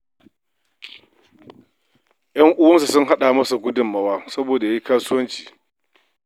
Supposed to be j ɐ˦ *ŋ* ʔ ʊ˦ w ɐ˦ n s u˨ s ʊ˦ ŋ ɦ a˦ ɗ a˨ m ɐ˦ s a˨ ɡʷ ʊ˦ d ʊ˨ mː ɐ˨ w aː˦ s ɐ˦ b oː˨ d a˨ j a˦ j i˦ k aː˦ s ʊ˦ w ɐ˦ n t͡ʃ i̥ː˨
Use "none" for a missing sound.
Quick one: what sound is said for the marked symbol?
ŋ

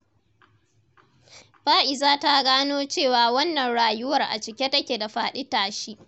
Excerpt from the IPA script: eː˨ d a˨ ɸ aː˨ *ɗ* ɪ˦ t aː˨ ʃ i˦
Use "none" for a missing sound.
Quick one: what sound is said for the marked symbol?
ɗ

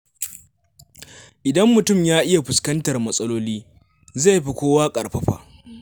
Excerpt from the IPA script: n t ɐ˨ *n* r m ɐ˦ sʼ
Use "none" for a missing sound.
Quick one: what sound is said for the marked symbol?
none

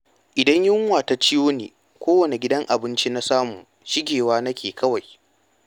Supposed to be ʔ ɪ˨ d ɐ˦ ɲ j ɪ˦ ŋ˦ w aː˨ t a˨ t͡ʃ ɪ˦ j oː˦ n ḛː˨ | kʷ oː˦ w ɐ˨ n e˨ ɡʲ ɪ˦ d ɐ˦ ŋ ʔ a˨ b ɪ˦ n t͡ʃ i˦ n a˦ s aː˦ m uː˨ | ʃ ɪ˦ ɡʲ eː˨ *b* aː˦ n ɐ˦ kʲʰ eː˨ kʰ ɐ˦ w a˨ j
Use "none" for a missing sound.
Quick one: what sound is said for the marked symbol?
w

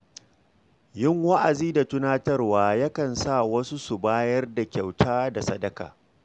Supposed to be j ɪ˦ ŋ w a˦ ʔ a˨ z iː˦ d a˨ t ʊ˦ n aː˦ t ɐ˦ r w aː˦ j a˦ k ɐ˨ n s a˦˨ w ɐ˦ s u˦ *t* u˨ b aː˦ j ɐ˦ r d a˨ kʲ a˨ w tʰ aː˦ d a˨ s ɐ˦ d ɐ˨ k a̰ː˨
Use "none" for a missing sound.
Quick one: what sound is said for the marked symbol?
s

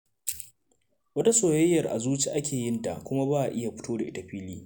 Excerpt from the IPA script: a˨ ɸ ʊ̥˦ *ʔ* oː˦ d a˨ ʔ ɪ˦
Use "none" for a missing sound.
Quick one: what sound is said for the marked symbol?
t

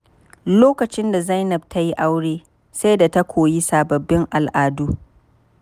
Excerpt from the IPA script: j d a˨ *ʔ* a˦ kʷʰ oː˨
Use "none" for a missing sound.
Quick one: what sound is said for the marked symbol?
t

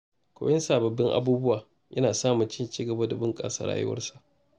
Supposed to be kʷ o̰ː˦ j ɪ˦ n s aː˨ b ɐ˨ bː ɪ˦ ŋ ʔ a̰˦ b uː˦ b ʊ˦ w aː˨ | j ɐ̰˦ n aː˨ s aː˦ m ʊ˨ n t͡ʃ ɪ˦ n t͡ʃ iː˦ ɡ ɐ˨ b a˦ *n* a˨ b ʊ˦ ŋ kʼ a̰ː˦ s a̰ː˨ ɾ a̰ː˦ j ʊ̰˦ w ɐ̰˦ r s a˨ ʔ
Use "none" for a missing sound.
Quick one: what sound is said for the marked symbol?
d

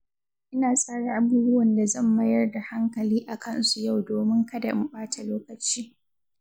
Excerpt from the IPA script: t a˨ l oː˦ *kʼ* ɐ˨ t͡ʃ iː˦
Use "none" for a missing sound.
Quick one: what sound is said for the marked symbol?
k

